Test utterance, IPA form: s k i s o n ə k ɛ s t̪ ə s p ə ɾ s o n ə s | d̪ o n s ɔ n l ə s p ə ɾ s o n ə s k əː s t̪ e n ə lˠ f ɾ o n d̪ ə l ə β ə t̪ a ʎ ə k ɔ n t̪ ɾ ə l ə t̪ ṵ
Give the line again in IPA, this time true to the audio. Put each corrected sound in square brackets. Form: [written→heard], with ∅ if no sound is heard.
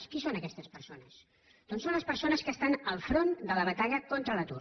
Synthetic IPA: s k i s o n ə k ɛ s t̪ ə s p ə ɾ s o n ə s | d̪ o n s [ɔ→o] n l ə s p ə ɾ s o n ə s k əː s t̪ [e→a] n ə lˠ f ɾ o n d̪ ə l ə β ə t̪ a ʎ ə k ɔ n t̪ ɾ ə l ə t̪ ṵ